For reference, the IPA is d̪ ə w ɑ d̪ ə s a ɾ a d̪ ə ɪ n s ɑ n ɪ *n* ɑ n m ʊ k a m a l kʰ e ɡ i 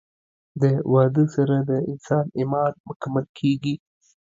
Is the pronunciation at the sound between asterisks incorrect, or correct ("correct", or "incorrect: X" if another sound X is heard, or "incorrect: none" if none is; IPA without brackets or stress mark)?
incorrect: m